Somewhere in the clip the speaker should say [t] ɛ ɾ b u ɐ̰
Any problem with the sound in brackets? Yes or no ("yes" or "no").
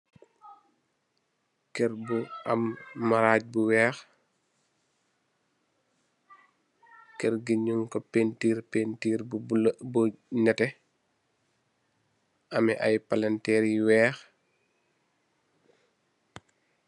yes